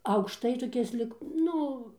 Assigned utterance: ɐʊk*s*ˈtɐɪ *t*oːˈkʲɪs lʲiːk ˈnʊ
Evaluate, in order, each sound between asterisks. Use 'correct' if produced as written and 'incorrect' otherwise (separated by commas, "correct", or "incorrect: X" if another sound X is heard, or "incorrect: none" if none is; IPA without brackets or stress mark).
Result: incorrect: ʃ, correct